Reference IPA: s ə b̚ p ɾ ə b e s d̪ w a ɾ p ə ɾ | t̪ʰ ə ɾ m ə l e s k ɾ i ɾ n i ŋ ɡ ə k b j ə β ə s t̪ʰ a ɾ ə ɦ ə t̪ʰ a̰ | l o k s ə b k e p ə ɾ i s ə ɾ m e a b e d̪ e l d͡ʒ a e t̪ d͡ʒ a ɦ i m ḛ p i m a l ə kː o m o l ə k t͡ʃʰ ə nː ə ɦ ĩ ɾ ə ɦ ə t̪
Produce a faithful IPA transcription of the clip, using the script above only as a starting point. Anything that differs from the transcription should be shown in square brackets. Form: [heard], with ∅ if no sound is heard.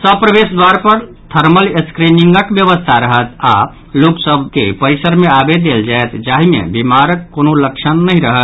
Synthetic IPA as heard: s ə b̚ p ɾ ə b e s d̪ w a ɾ p ə ɾ | t̪ʰ ə ɾ m ə l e s k ɾ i [∅] n i ŋ ɡ ə k b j ə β ə s t̪ʰ a ɾ ə ɦ ə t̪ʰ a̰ | l o k s ə b k e p ə ɾ i s ə ɾ m e a b e d̪ e l d͡ʒ a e t̪ d͡ʒ a ɦ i m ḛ [b] i m a [ɾ] ə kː o [n] o l ə k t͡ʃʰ ə nː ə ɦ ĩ ɾ ə ɦ ə t̪